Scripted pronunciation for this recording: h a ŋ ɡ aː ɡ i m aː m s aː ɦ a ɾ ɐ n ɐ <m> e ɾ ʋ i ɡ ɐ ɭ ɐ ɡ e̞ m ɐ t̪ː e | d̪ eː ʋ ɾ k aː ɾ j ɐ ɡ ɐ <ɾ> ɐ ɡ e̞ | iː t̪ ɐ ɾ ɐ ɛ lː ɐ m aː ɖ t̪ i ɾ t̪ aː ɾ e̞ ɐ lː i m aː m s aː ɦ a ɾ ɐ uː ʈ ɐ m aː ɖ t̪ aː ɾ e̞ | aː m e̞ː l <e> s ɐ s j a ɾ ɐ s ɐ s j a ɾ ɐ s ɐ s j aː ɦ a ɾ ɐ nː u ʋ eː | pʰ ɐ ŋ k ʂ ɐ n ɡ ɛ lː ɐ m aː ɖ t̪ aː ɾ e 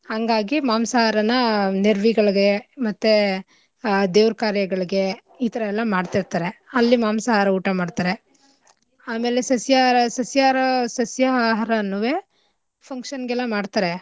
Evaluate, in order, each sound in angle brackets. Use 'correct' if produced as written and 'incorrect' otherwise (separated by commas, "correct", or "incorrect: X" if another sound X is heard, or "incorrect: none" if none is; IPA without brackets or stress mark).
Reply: incorrect: n, incorrect: ɭ, correct